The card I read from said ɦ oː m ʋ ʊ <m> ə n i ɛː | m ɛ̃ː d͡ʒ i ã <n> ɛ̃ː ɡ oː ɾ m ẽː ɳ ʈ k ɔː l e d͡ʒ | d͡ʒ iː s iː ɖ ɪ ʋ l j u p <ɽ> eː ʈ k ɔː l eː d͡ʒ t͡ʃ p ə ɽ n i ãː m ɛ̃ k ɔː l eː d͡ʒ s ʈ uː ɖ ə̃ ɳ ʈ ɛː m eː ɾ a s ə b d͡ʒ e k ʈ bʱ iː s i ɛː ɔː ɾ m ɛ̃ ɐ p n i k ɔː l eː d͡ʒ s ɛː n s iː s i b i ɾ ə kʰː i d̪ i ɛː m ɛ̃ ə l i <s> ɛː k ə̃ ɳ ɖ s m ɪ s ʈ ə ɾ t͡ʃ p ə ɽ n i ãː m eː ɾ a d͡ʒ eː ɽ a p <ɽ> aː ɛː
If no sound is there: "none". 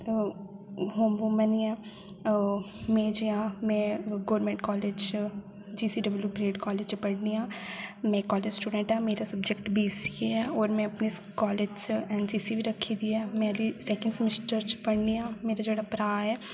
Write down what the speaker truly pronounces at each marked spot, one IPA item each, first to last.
m, m, ɾ, s, ɾ

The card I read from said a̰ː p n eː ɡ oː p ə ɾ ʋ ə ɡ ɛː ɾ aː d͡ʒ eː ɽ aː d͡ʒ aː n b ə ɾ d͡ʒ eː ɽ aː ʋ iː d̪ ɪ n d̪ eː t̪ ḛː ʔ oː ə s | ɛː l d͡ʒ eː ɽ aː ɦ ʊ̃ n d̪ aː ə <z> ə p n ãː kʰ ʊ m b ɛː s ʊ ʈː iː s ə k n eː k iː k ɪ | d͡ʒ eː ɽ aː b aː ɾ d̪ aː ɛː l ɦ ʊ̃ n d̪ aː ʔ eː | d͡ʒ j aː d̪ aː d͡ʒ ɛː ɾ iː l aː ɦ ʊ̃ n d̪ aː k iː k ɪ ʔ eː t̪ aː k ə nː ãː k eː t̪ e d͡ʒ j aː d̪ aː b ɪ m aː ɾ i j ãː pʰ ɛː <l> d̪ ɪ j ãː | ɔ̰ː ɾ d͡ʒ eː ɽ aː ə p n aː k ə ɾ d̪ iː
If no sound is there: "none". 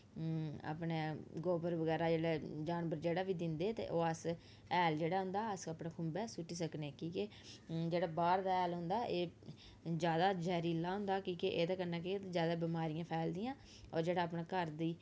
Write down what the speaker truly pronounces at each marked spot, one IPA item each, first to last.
s, l

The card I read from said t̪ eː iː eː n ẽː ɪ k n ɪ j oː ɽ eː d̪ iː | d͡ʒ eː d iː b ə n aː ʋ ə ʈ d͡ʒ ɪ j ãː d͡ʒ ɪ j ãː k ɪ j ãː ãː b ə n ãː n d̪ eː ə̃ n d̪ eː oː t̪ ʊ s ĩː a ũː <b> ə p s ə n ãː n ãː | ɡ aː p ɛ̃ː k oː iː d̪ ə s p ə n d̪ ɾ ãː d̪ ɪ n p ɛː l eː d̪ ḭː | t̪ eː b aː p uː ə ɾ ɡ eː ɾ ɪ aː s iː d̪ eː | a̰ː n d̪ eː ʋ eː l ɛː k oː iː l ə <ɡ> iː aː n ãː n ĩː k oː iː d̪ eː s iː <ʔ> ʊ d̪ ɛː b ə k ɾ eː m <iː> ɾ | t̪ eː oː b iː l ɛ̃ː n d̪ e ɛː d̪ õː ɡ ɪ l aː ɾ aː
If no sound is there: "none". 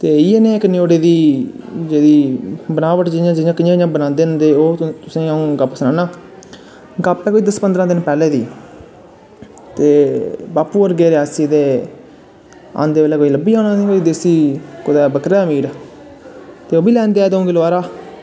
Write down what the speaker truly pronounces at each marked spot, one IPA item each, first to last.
ɡ, b, k, iː

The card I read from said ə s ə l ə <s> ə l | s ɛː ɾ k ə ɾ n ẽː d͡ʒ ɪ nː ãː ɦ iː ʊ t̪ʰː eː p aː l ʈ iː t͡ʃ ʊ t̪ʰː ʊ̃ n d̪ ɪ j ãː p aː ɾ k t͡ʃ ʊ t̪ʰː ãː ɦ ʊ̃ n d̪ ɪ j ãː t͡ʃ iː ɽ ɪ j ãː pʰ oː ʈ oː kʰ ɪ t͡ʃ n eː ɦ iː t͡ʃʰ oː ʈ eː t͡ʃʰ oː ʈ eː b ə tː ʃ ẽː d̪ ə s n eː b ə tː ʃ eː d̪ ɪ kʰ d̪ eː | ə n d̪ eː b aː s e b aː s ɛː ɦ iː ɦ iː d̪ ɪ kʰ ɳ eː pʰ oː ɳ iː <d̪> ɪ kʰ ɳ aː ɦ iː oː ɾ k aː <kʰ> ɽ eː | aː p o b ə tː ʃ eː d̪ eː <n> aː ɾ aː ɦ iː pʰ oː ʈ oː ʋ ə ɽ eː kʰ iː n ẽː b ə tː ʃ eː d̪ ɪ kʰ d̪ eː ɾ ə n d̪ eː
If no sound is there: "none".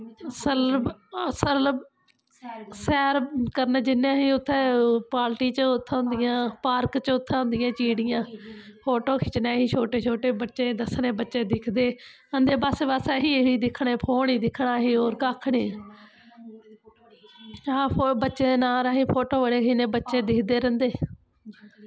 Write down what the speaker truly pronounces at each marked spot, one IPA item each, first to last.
s, d̪, kʰ, n

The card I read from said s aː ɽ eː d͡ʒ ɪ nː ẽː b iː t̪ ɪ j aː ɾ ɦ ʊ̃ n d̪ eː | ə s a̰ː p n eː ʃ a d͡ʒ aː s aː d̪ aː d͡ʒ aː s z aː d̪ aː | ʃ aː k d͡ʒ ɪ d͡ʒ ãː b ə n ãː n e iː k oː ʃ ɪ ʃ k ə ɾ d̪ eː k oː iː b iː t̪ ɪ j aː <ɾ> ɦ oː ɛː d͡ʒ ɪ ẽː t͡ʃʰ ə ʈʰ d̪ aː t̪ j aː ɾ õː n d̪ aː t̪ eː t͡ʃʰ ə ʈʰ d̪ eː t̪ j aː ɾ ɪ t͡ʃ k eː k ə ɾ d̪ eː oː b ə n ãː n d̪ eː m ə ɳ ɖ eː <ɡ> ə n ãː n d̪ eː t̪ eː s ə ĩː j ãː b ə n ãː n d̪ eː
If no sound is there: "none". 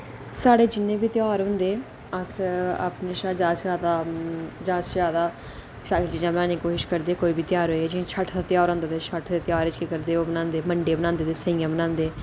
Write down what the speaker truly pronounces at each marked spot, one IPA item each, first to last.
ɾ, b

